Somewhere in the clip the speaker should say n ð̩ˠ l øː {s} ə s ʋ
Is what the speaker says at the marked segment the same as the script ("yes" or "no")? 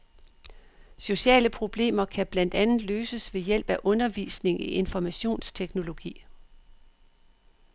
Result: yes